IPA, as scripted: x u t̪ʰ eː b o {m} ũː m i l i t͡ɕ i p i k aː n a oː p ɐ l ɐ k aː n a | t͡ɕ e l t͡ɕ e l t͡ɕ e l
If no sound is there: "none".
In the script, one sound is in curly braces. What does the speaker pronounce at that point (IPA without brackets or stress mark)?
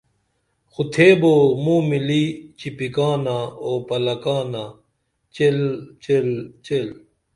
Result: m